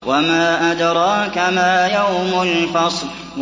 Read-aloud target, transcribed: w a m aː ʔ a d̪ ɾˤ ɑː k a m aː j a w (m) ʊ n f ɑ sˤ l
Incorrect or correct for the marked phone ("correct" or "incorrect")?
correct